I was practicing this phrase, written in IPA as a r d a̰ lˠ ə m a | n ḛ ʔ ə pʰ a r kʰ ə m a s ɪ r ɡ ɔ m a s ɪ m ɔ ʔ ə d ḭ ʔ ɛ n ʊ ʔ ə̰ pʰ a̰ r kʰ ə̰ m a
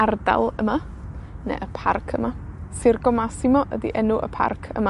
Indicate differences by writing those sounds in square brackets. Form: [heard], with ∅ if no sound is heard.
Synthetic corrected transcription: a r d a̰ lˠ ə m a | n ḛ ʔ ə pʰ a r kʰ ə m a s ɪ r ɡ ɔ m a s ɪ m ɔ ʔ ə d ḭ ʔ ɛ n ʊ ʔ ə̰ pʰ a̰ r kʰ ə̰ m a